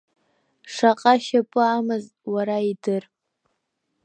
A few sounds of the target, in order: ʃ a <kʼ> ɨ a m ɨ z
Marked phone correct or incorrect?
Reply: incorrect